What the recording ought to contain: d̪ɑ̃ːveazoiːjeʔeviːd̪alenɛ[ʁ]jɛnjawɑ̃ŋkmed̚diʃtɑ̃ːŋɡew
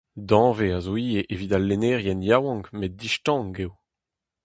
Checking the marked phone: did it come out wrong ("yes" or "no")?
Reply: no